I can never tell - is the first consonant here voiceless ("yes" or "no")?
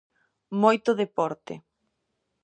no